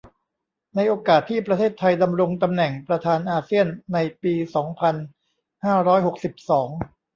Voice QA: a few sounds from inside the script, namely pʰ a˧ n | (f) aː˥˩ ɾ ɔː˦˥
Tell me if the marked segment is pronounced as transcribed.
no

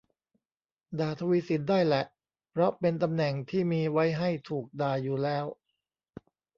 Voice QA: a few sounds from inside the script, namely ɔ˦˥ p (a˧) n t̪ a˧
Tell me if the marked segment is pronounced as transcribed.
no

